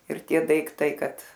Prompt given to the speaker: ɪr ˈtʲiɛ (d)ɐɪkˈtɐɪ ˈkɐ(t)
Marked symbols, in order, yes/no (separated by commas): yes, yes